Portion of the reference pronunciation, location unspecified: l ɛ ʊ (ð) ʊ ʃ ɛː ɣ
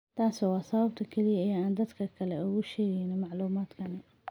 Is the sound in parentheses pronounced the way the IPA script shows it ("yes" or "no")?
no